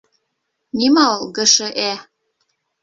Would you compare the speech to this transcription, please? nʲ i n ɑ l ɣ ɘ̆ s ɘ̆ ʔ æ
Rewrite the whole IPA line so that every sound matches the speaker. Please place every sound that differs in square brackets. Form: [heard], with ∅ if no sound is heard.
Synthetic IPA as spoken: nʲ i [m] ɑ l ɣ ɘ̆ [ʃ] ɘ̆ ʔ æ